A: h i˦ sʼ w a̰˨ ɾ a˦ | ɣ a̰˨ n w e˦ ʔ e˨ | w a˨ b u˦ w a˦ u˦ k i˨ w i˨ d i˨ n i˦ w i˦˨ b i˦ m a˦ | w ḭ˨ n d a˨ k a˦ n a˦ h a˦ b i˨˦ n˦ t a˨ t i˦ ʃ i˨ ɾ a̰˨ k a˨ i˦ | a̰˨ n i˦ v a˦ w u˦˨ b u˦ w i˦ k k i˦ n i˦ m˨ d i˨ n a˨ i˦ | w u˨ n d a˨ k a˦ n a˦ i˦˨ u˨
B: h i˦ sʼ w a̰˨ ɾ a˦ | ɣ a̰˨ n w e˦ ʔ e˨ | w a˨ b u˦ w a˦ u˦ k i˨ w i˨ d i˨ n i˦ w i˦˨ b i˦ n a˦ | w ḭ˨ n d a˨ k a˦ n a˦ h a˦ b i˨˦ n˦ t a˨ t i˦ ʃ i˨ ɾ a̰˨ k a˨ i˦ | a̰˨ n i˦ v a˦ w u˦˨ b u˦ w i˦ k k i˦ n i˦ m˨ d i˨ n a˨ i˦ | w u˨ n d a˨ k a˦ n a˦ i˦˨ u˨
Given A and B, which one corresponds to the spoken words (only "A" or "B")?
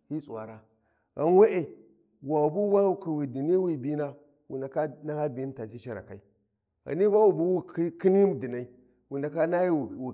B